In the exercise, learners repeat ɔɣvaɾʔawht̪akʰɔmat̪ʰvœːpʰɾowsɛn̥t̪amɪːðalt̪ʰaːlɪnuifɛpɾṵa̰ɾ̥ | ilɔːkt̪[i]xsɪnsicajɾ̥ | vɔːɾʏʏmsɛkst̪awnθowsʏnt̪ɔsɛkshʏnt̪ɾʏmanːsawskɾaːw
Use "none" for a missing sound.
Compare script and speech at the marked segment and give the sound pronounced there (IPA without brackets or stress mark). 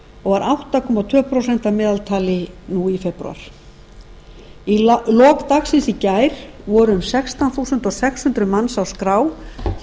a